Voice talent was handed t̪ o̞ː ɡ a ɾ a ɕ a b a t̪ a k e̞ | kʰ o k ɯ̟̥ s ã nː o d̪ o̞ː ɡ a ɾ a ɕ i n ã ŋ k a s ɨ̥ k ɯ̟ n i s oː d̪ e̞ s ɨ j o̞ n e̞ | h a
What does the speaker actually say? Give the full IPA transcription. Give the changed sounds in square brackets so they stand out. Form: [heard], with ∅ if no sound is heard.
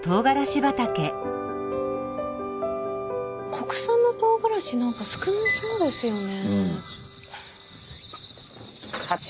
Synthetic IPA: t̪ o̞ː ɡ a ɾ a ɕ [i] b a t̪ a k e̞ | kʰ o k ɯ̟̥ s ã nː o [t̪] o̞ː ɡ a ɾ a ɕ i n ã ŋ k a s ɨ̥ k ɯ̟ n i s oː d̪ e̞ s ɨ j o̞ n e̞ | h a